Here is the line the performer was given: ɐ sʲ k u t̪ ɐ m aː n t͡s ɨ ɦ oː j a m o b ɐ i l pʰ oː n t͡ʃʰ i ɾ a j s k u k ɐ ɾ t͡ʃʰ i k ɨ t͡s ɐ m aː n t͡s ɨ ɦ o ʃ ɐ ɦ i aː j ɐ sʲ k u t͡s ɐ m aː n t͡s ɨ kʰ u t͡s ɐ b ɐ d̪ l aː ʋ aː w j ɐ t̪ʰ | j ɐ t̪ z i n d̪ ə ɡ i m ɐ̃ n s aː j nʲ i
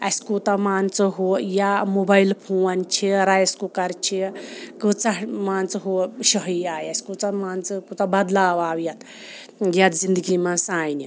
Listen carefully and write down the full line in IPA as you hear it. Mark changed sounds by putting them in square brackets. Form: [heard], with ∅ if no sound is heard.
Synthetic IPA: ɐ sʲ k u t̪ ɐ m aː n t͡s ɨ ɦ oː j a m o b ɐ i l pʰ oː n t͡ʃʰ i ɾ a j s k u k ɐ ɾ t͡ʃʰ i k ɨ t͡s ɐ m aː n t͡s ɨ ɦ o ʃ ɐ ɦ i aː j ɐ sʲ k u t͡s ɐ m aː n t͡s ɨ [k] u t͡s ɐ b ɐ d̪ l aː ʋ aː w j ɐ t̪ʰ | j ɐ t̪ z i n d̪ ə ɡ i m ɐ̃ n s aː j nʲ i